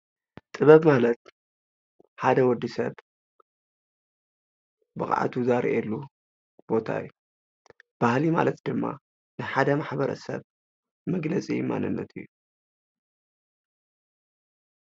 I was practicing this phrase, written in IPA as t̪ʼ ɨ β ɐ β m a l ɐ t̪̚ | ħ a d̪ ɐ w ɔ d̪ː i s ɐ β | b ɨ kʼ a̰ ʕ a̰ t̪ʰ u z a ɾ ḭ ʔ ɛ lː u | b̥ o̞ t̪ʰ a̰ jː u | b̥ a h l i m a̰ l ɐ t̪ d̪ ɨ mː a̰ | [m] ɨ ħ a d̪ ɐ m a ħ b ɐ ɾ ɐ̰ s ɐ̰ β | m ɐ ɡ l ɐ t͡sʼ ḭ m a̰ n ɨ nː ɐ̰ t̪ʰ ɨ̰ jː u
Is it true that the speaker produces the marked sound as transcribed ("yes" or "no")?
no